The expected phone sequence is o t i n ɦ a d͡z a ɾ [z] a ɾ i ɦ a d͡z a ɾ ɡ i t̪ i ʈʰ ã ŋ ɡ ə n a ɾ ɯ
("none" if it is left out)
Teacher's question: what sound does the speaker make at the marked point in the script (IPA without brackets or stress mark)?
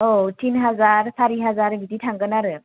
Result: s